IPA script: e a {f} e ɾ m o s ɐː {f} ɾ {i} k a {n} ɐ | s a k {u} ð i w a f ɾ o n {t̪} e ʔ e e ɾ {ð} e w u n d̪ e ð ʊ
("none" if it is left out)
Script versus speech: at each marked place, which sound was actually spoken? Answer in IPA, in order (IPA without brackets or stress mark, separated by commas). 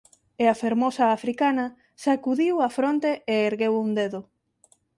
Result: f, f, i, n, u, t̪, ɣ